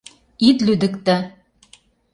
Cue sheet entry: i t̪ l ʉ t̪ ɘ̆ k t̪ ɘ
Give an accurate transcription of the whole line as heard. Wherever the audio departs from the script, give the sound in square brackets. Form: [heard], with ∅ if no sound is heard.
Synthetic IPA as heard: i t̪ l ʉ [d̪] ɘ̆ k t̪ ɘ